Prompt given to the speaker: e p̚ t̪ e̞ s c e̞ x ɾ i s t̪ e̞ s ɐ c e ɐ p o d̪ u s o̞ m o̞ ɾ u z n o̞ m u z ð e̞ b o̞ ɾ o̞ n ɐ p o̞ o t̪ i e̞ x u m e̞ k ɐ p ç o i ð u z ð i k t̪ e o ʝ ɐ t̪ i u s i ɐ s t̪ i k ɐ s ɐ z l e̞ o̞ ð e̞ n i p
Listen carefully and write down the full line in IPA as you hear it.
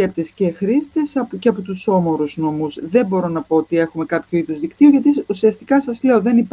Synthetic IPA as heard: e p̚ t̪ e̞ s c e̞ x ɾ i s t̪ e̞ s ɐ c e ɐ p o t̪ u s o̞ m o̞ ɾ u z n o̞ m u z ð e̞ b o̞ ɾ o̞ n ɐ p o̞ o t̪ i e̞ x u m e̞ k ɐ p ç o i ð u z ð i k t̪ i o ʝ ɐ t̪ i u s i ɐ s t̪ i k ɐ s ɐ z l e̞ o̞ ð e̞ n i p